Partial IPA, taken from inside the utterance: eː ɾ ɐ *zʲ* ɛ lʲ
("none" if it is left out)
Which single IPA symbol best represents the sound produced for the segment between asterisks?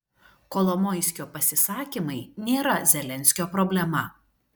zʲ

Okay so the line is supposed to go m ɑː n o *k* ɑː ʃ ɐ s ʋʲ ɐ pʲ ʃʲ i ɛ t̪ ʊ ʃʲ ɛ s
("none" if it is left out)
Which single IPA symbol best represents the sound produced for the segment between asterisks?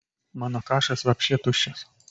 k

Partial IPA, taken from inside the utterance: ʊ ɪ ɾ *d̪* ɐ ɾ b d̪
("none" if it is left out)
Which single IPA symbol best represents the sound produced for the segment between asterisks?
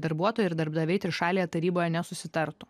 d̪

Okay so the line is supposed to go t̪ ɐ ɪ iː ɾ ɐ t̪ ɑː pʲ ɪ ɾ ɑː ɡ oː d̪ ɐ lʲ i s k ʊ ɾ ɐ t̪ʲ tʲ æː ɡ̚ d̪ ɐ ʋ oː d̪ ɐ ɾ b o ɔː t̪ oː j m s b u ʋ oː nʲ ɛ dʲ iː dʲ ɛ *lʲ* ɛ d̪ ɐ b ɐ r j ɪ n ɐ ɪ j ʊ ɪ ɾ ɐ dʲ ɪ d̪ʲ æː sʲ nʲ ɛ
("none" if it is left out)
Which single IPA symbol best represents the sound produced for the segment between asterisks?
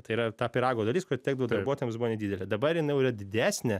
lʲ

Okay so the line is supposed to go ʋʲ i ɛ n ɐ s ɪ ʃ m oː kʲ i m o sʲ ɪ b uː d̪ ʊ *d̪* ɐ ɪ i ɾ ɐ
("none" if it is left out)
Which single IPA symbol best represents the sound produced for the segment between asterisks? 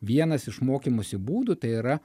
t̪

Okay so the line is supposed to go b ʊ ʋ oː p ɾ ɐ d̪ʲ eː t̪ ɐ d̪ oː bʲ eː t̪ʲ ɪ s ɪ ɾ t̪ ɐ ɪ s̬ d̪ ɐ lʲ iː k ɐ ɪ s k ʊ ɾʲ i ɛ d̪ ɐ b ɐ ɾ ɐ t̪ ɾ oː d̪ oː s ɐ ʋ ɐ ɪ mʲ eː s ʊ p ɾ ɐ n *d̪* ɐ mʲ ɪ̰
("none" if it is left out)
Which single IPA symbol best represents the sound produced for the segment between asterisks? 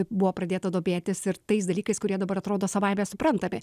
t̪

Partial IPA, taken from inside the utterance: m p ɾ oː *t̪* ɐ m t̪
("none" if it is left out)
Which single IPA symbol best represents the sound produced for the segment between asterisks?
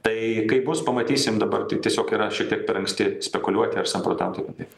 t̪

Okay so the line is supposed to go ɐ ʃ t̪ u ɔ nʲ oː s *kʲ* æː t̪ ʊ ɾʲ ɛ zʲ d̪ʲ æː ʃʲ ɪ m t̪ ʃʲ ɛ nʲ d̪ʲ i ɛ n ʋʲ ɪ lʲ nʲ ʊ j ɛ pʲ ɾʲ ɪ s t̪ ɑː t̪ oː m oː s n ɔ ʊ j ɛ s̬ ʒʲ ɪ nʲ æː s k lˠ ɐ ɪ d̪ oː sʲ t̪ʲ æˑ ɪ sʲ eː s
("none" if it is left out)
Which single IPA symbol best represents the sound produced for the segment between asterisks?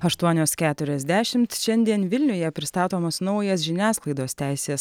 kʲ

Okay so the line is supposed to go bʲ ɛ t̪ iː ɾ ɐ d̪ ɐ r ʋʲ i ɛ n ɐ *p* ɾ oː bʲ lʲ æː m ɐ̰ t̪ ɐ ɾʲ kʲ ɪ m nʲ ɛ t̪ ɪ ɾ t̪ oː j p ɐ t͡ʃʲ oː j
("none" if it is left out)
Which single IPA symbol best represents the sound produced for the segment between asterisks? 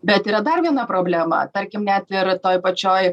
p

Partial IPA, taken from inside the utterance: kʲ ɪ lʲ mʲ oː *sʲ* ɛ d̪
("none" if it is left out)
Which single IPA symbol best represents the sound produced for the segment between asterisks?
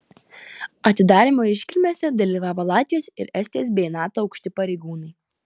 sʲ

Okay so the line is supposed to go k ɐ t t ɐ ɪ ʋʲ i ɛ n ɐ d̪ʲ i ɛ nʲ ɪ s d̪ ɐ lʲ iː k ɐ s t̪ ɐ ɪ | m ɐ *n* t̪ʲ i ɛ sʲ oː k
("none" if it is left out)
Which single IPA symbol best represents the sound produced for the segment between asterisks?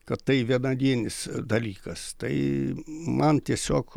n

